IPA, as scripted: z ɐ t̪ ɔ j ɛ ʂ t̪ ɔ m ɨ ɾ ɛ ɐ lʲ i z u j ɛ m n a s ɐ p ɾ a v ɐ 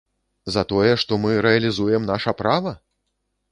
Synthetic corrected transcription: z ɐ t̪ ɔ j ɛ ʂ t̪ ɔ m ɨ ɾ ɛ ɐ lʲ i z u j ɛ m n a ʂ ɐ p ɾ a v ɐ